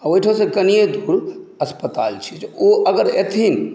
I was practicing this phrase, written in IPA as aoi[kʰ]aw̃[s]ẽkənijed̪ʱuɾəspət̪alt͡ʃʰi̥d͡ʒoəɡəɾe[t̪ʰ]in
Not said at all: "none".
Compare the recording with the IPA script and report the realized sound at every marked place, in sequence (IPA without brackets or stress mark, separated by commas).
ʈʰ, s, t̪ʰ